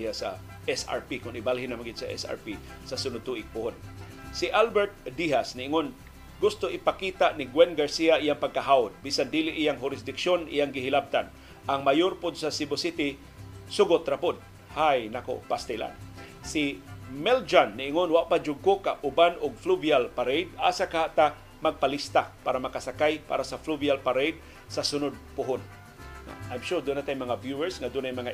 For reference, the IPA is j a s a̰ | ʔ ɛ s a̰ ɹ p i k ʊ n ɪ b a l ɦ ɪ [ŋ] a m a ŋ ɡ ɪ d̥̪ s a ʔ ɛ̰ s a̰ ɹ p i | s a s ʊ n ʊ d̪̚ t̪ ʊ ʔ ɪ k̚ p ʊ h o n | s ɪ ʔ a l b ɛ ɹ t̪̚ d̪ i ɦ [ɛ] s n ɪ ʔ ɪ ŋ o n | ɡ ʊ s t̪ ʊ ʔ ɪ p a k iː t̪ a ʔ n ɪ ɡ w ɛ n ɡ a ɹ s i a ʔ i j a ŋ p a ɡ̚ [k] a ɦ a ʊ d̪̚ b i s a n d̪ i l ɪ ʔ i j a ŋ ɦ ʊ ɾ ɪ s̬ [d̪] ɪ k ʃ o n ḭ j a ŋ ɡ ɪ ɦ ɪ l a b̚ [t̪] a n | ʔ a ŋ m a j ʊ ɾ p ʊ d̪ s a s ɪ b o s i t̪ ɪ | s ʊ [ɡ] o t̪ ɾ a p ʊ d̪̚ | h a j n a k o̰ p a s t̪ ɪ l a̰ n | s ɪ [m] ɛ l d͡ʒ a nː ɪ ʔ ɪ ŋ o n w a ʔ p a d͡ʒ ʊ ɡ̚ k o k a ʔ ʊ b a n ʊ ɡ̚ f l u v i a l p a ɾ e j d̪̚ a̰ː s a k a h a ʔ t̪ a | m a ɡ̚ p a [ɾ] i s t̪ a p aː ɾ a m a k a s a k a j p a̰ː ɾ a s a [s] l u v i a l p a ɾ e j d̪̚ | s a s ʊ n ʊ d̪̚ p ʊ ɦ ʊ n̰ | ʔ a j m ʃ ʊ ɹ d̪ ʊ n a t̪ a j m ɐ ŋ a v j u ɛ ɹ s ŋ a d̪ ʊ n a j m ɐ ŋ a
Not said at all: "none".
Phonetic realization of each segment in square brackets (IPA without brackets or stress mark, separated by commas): n, a, k, d̪, t̪, ɡ, m, l, f